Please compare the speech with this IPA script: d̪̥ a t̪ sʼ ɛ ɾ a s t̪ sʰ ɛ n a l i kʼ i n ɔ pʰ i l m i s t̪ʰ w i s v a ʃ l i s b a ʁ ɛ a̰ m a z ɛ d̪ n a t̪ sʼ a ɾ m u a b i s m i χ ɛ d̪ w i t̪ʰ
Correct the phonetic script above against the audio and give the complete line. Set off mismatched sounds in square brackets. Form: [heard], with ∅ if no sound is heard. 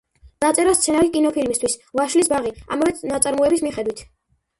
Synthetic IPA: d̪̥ a t̪ sʼ ɛ ɾ a s t̪ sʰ ɛ n a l i kʼ i n ɔ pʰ i l m i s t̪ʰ w i s v a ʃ l i s b a ʁ [i] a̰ m a [v] ɛ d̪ n a t̪ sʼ a ɾ m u [ɛ] b i s m i χ ɛ d̪ w i t̪ʰ